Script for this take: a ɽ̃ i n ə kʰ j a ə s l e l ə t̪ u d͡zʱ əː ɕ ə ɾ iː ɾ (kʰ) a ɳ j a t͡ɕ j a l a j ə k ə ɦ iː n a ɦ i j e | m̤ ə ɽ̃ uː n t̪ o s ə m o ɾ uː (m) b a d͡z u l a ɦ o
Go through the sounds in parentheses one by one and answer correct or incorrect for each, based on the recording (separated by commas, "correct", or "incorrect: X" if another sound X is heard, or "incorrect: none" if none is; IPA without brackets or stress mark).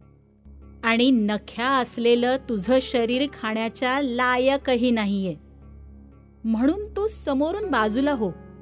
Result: correct, incorrect: n